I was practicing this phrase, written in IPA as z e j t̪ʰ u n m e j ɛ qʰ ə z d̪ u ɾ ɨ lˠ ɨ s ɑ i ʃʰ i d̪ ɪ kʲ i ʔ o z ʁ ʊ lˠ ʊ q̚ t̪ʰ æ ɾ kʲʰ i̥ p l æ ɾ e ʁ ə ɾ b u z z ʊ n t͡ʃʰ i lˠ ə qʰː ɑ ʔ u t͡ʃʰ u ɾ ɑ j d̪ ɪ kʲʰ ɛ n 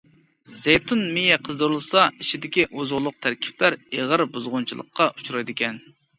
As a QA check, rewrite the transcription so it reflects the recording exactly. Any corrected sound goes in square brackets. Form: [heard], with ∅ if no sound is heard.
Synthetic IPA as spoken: z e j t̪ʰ u n m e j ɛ qʰ ə z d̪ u ɾ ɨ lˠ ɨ s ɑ i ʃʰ i d̪ ɪ kʲ i ʔ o z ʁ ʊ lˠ ʊ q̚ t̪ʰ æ ɾ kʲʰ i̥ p l æ ɾ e ʁ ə ɾ b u z [ʁ] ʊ n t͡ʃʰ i lˠ ə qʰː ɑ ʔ u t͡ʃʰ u ɾ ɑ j d̪ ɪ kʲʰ ɛ n